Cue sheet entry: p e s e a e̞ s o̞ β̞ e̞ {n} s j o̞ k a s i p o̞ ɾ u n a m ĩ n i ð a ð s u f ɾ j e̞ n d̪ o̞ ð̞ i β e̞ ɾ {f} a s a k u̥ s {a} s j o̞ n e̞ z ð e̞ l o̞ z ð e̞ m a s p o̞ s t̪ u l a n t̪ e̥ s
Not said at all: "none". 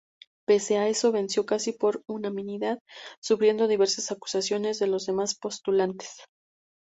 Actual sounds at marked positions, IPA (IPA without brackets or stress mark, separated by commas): n, s, a